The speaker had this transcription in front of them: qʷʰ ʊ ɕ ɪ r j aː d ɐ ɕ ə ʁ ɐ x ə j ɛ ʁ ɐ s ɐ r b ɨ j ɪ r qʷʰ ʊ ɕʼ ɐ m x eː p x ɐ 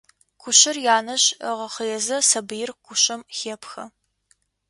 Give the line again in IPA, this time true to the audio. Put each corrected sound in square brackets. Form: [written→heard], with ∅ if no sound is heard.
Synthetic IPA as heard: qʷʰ ʊ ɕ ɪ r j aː [d→n] ɐ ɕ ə ʁ ɐ [x→χ] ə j ɛ [ʁ→z] ɐ s ɐ [r→∅] b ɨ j ɪ r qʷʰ ʊ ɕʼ ɐ m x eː p x ɐ